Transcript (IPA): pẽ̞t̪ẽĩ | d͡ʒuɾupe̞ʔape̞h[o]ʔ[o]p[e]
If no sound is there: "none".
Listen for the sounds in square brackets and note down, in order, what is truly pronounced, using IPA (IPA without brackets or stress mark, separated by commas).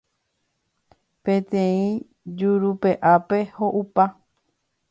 o, u, a